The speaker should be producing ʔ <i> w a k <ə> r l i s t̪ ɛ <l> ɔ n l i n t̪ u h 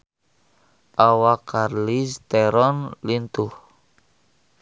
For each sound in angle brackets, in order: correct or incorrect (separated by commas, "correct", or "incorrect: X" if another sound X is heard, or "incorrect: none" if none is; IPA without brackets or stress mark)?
incorrect: a, incorrect: a, incorrect: ɾ